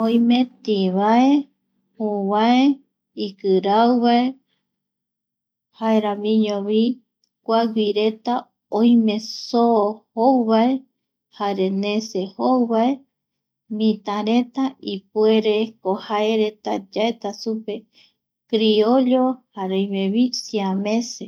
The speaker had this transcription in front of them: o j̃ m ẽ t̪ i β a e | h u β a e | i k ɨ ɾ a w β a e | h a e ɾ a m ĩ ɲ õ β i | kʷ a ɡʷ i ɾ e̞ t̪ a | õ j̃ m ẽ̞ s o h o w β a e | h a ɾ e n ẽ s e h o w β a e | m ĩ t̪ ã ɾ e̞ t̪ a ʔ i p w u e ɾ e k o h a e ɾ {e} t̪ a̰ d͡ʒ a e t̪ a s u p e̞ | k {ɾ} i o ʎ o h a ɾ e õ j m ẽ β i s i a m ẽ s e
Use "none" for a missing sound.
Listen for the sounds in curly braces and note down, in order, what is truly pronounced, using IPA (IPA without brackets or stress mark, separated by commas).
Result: e, ɾ